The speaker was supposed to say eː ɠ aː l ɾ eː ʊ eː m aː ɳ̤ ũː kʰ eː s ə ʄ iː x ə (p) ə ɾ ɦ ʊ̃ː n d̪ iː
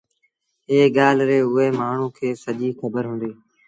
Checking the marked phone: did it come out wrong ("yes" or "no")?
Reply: yes